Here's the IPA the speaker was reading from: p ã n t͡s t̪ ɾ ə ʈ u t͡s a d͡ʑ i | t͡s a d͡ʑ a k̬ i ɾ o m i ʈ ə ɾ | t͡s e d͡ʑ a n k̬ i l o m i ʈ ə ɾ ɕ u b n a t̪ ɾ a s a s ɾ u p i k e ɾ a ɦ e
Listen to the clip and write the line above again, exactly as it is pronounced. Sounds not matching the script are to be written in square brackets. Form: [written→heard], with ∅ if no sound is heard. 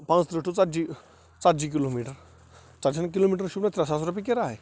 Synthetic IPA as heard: p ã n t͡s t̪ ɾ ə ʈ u t͡s a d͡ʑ i | t͡s a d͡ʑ [a→i] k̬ i [ɾ→l] o m i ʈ ə ɾ | t͡s [e→a] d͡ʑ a n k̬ i l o m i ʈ ə ɾ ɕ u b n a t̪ ɾ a s a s ɾ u p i k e ɾ a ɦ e